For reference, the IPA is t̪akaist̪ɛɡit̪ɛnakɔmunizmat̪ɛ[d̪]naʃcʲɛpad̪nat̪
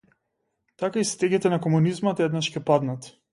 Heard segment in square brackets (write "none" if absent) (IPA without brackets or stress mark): d̪